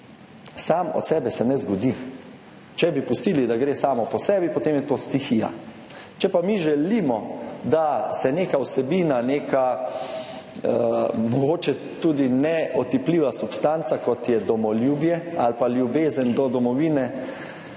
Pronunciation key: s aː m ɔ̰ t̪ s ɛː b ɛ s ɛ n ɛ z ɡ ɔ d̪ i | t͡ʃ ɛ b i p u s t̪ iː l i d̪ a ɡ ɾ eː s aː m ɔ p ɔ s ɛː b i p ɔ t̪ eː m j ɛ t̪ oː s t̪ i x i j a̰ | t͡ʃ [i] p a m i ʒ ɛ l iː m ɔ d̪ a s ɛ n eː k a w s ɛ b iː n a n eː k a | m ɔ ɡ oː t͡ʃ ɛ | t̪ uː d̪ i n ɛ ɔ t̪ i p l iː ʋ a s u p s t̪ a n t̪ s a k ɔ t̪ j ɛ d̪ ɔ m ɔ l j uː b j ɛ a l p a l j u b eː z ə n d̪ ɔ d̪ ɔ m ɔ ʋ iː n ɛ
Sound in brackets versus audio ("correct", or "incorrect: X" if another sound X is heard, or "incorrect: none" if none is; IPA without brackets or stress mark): incorrect: ɛ